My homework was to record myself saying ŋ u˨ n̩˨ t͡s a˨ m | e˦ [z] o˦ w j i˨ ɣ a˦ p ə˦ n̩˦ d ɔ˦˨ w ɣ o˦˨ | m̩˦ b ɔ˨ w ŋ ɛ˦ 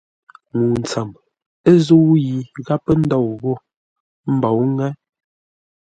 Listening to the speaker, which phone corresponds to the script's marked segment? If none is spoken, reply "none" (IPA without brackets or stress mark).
z